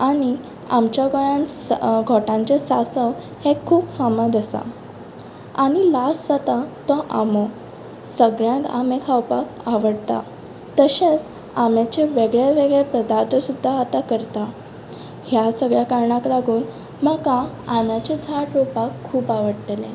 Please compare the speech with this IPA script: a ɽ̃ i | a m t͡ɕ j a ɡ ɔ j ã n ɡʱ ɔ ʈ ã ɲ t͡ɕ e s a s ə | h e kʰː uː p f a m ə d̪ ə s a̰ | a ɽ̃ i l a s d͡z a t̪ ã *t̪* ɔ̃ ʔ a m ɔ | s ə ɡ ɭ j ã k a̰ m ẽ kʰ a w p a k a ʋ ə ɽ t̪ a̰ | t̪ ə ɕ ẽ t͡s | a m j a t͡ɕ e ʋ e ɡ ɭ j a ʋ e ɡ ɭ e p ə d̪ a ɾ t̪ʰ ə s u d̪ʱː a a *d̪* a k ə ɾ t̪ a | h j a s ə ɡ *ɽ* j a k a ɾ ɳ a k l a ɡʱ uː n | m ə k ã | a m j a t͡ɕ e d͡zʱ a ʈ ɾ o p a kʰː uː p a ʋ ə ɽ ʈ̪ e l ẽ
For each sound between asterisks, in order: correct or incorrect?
correct, incorrect: t̪, incorrect: ɭ

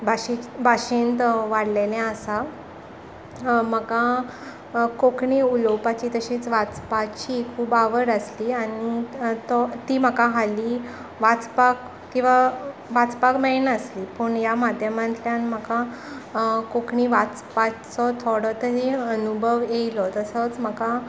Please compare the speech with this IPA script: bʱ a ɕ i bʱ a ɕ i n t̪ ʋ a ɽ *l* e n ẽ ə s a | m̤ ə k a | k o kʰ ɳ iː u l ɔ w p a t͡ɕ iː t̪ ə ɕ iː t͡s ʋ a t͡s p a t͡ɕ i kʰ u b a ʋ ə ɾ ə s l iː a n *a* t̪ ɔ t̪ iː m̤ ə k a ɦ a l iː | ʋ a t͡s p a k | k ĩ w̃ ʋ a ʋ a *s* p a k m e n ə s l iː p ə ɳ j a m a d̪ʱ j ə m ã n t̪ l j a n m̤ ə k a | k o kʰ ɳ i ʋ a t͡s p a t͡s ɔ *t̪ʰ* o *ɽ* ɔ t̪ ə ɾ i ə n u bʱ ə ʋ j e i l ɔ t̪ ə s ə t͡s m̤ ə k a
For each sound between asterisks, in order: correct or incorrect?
correct, incorrect: i, incorrect: t͡s, correct, correct

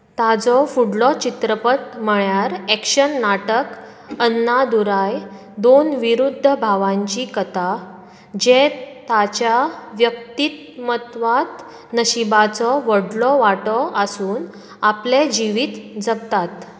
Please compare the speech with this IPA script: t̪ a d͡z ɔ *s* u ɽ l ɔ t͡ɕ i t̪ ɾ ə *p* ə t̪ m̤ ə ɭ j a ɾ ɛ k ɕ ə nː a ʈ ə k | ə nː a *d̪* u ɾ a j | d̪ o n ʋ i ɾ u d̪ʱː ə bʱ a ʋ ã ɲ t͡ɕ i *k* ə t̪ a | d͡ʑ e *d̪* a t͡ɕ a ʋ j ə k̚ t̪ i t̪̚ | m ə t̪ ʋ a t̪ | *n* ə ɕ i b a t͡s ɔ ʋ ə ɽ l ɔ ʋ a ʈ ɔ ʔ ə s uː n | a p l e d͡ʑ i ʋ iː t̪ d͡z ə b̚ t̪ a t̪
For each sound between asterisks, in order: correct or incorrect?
incorrect: f, correct, correct, correct, incorrect: t̪, correct

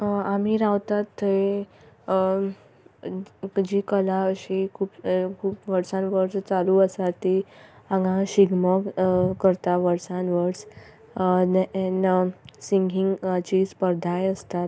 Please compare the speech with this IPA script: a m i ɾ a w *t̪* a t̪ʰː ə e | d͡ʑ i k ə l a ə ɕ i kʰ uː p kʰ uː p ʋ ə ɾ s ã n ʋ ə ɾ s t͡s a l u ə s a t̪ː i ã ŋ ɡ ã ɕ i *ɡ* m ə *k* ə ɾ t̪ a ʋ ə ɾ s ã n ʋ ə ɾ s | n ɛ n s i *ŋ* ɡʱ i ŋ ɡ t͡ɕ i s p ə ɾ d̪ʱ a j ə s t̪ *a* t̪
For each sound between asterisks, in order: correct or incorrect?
correct, correct, correct, correct, correct

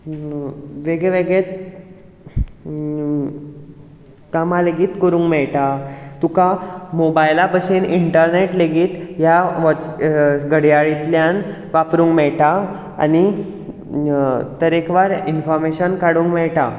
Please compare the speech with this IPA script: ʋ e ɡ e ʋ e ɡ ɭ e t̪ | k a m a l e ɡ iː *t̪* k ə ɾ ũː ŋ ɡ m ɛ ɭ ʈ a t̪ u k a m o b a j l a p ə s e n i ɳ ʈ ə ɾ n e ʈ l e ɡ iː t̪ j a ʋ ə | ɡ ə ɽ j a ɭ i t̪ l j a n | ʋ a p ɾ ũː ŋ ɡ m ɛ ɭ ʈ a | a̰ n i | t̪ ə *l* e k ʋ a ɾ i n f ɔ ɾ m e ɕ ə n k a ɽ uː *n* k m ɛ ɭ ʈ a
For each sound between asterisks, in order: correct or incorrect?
correct, incorrect: ɾ, incorrect: ŋ

